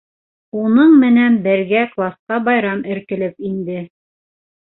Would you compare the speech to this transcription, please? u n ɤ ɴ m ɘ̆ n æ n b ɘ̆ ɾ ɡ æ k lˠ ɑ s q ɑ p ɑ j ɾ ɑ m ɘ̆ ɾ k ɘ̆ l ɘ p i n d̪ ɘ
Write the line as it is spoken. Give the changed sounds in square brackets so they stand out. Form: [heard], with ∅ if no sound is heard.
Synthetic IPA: u n ɤ ɴ m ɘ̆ n æ n b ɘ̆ ɾ ɡ æ k lˠ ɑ s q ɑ [b] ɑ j ɾ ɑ m ɘ̆ ɾ k ɘ̆ l ɘ p i n d̪ ɘ